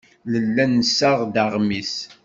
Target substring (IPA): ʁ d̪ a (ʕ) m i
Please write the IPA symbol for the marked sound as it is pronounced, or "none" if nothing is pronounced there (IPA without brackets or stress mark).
ʁ